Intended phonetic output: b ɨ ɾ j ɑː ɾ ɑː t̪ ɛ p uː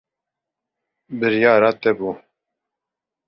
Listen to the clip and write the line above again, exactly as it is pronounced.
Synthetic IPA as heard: b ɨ ɾ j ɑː ɾ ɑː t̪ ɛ b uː